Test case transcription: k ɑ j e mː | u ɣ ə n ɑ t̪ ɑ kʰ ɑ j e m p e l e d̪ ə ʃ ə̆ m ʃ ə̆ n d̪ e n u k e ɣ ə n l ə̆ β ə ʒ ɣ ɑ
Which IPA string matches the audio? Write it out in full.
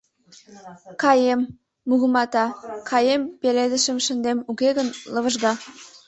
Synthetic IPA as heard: k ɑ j e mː | u ɣ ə m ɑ t̪ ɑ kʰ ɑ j e m p e l e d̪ ə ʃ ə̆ m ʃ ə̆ n d̪ e m u k e ɣ ə n l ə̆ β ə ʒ ɣ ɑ

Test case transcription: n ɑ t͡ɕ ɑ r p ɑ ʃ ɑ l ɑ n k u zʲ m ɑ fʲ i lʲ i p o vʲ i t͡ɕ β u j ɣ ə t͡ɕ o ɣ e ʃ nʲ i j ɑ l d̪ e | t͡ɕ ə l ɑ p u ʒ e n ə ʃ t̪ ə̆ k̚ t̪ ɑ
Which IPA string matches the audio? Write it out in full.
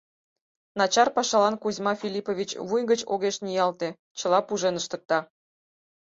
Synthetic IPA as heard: n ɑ t͡ɕ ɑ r p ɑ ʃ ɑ l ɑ n k u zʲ m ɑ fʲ i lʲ i p o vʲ i t͡ɕ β u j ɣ ə t͡ɕ o ɣ e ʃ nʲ i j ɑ l t̪ e | t͡ɕ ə l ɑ p u ʒ e n ə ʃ t̪ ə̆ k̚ t̪ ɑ

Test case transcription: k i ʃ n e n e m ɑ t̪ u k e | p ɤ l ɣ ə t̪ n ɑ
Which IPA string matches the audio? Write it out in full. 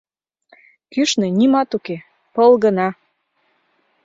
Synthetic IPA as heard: k y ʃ n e n i m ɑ t̪ u k e | p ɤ l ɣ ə n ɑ

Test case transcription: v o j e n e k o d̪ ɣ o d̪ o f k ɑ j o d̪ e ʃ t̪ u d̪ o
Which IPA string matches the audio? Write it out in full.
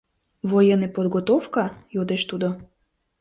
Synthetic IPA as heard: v o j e n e p o d̪ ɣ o t̪ o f k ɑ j o d̪ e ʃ t̪ u d̪ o

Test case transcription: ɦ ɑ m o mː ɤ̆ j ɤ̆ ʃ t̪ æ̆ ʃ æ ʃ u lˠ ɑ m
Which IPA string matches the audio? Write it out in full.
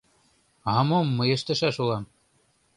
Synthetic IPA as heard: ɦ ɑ m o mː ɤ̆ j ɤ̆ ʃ t̪ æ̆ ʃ æ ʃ u lˠ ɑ m

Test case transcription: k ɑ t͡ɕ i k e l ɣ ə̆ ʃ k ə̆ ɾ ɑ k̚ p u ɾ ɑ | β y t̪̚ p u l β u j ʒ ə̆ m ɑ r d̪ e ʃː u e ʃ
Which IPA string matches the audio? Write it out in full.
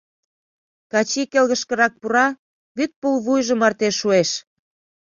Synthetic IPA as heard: k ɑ t͡ɕ i k e l ɣ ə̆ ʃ k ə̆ ɾ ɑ k̚ p u ɾ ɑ | β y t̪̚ p u l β u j ʒ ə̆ m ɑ r t̪ e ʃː u e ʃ

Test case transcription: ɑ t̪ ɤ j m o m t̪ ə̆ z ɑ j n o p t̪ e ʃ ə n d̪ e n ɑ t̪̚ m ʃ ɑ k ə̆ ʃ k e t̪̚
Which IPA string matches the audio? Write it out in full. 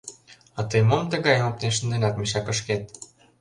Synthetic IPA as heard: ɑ t̪ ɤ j m o m t̪ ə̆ ɣ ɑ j m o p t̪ e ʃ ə n d̪ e n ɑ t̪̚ m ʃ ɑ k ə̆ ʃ k e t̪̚

